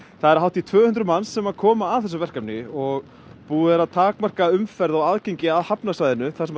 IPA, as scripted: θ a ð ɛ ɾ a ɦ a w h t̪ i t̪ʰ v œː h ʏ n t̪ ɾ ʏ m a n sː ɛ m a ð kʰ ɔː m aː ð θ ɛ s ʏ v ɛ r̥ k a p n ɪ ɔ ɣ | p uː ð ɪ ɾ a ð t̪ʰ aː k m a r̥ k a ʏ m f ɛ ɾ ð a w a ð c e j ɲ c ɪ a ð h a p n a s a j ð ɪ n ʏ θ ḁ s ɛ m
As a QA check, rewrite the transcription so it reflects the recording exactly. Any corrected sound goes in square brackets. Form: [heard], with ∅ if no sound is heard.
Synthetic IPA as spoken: θ a ð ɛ ɾ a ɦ a w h t̪ i t̪ʰ v œː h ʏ n t̪ ɾ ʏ m a n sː ɛ m a ð kʰ ɔː m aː ð θ ɛ s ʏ v ɛ r̥ k a p n ɪ ɔ ɣ | p uː ð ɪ ɾ a ð t̪ʰ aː k m a r̥ k a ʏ m f ɛ ɾ ð a w a ð c e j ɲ c ɪ a ð h a p n a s a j ð ɪ n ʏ θ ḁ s ɛ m